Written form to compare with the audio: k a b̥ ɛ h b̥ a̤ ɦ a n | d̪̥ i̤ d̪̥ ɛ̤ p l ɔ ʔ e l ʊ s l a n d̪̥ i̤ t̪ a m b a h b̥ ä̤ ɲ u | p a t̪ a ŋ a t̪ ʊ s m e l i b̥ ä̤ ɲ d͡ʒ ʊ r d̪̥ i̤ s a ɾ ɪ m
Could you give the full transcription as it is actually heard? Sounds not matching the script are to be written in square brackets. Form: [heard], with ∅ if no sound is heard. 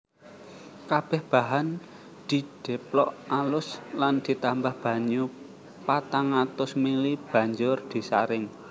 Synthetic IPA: k a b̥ ɛ h b̥ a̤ ɦ a n | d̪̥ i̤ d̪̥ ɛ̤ p l ɔ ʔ [a] l ʊ s l a n d̪̥ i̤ t̪ a m b a h b̥ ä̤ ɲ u | p a t̪ a ŋ a t̪ ʊ s m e l i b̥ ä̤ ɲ d͡ʒ ʊ r d̪̥ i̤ s a ɾ ɪ [ŋ]